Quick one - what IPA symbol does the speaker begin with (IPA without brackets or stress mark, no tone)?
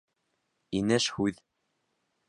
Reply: i